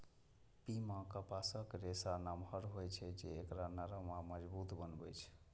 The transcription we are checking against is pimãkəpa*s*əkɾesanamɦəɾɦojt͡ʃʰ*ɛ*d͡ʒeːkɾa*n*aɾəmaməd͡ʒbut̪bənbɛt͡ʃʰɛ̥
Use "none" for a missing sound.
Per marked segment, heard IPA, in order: s, ɛ, n

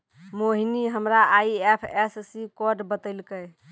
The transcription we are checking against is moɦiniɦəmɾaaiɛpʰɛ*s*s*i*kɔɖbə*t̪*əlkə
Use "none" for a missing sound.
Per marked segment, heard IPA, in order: s, i, t̪

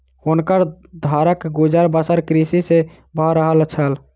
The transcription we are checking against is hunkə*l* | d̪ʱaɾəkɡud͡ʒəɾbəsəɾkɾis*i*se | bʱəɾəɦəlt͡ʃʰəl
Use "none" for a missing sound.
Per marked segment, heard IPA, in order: ɾ, i

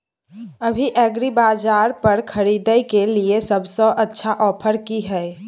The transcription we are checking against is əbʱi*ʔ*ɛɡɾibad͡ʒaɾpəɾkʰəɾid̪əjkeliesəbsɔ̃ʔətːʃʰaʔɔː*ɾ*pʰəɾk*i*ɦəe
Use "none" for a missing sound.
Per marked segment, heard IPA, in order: ʔ, none, i

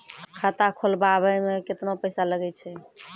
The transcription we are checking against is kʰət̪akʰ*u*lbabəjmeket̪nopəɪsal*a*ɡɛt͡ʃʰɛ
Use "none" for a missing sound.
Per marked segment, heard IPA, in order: o, ə

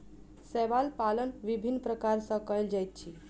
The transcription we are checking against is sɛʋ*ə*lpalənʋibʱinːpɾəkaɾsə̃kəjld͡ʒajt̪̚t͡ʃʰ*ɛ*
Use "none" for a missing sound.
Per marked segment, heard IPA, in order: a, i

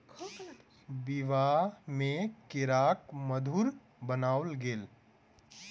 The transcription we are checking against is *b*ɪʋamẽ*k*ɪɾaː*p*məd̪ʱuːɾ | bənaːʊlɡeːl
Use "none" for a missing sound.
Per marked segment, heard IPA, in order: b, k, k

